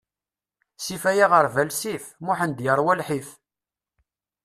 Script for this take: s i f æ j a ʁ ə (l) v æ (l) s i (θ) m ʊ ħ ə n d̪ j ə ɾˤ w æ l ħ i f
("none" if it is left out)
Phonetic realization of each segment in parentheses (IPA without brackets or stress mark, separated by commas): ɾ, l, f